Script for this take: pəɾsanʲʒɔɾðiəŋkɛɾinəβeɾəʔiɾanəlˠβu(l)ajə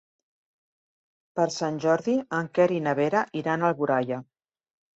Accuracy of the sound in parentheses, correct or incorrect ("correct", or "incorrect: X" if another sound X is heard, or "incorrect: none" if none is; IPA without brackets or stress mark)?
incorrect: ɾ